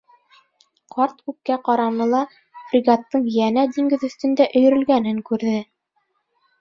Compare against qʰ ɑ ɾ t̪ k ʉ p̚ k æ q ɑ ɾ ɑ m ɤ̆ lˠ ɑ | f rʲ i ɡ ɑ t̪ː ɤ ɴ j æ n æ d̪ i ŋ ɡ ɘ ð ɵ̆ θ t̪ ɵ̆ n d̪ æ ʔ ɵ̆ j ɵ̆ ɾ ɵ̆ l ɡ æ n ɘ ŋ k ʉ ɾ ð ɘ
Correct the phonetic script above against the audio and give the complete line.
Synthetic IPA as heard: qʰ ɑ ɾ t̪ k ʉ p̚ k æ q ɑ ɾ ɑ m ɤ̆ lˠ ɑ | f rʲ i ɡ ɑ t̪ː ɤ ɴ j æ n æ d̪ i ŋ ɡ ɘ ð ɵ̆ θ t̪ ɵ̆ n d̪ æ ʔ ɵ̆ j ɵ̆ ɾ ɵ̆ l ɡ æ n ɘ ŋ k ʉ ɾ ð ɘ